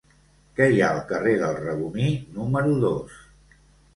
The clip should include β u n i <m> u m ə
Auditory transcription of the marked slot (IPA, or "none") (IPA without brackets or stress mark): n